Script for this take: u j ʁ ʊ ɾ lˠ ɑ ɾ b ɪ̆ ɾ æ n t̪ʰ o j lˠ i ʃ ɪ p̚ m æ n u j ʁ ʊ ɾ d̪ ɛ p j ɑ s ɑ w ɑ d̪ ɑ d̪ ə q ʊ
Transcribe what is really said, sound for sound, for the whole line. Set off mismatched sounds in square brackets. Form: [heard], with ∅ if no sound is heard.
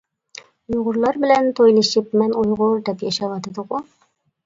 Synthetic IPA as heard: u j ʁ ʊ ɾ lˠ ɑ ɾ b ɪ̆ [l] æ n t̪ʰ o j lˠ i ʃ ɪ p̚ m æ n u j ʁ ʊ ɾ d̪ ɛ p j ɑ [ʃ] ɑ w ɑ [t̪] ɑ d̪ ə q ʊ